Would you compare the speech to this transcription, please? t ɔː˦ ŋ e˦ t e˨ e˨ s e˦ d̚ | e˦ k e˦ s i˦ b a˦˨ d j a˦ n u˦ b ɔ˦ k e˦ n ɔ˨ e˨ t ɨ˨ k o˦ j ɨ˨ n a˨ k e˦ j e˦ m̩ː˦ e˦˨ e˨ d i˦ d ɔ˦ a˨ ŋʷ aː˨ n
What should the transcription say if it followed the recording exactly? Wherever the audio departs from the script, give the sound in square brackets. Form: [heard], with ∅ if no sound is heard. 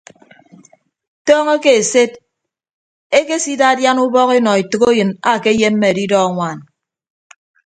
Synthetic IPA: t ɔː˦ ŋ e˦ [k] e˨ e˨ s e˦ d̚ | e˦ k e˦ s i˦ [d] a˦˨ d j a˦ n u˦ b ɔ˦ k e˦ n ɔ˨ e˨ t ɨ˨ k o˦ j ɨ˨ n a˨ k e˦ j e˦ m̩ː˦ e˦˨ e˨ d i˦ d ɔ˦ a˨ ŋʷ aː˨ n